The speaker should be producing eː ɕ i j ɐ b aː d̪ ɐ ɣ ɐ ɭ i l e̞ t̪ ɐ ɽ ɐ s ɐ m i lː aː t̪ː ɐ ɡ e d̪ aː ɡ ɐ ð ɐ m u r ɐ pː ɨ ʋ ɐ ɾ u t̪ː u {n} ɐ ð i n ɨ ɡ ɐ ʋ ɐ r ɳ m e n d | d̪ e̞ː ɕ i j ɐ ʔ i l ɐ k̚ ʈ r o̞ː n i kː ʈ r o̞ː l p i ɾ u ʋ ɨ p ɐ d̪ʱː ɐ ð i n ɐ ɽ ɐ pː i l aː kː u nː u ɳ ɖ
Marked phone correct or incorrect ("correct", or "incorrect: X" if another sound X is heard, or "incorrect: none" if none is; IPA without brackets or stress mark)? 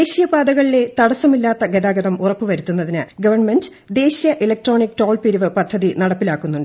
incorrect: nː